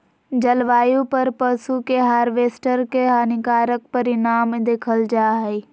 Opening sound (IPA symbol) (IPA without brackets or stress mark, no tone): d͡ʒ